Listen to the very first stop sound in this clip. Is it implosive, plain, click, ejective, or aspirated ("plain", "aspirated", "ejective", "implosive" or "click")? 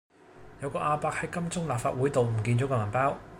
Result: plain